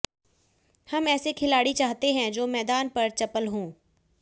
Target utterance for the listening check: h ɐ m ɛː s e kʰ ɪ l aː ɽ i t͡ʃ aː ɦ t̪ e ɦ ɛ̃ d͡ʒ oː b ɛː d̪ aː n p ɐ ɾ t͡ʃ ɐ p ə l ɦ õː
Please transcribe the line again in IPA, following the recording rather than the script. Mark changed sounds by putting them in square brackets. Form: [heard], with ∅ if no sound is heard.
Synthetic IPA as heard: h ɐ m ɛː s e kʰ ɪ l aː ɽ i t͡ʃ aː ɦ t̪ e ɦ ɛ̃ d͡ʒ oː [m] ɛː d̪ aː n p ɐ ɾ t͡ʃ ɐ p ə l ɦ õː